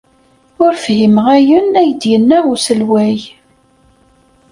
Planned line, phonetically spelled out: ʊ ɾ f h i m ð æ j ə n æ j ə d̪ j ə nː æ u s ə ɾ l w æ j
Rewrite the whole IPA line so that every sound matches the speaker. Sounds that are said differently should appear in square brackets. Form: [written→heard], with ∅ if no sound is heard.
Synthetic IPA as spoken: ʊ ɾ f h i m [ð→ʁ] æ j ə n æ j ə d̪ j ə nː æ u s ə [ɾ→∅] l w æ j